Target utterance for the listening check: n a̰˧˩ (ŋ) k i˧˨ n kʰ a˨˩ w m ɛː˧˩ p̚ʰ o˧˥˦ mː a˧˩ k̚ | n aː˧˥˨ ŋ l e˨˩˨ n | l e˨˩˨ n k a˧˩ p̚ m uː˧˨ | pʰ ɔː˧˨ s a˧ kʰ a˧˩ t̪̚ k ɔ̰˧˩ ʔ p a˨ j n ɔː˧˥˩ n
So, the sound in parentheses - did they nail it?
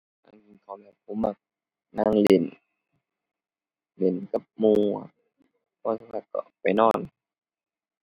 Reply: yes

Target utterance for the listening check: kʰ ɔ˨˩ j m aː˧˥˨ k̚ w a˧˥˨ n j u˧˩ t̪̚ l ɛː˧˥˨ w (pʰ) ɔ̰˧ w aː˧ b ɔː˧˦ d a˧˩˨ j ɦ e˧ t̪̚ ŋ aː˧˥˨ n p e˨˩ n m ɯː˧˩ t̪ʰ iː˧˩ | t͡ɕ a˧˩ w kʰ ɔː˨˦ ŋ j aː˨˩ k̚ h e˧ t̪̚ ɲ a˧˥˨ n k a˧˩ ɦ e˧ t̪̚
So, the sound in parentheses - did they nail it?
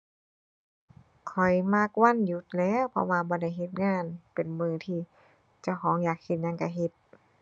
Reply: yes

